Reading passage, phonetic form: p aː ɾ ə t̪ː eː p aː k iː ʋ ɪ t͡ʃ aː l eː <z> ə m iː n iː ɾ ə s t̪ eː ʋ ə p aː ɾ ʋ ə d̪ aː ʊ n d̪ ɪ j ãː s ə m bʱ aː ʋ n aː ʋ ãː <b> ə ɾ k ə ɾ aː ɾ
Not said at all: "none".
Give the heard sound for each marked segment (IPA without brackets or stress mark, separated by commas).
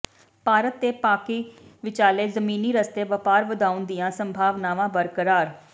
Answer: z, b